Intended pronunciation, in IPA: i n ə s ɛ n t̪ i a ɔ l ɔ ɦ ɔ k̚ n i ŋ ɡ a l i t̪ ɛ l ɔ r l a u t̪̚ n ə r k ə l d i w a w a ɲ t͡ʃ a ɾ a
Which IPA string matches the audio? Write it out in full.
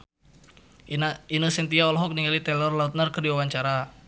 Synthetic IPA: i n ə s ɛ n t̪ i a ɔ l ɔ ɦ ɔ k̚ n i ŋ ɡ a l i t̪ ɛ l ɔ r l a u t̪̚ n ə r k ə r d i w a w a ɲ t͡ʃ a ɾ a